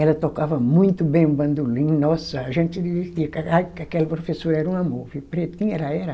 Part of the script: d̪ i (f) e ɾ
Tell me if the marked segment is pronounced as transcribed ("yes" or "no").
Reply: no